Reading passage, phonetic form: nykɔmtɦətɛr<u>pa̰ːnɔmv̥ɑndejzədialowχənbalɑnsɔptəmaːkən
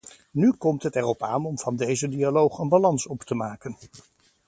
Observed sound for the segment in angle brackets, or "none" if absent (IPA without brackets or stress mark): ɔ